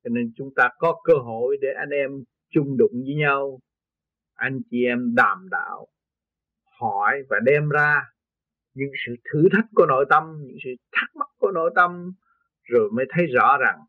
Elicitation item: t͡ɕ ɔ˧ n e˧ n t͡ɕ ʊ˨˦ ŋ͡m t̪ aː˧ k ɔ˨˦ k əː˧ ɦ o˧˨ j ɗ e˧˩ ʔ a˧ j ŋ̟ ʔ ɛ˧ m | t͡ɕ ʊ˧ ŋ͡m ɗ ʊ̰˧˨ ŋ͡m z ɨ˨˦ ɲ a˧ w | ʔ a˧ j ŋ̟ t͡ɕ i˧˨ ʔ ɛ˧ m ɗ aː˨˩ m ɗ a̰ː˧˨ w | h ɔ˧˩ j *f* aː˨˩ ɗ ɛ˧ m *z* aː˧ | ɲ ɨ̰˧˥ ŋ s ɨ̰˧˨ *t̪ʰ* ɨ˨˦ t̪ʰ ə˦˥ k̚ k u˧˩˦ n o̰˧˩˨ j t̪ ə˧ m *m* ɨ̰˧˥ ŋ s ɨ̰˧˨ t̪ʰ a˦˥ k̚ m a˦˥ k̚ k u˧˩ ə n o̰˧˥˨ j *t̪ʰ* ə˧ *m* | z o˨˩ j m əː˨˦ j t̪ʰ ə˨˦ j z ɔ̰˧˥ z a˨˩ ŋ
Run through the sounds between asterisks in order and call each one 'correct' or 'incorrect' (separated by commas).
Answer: incorrect, correct, correct, incorrect, incorrect, correct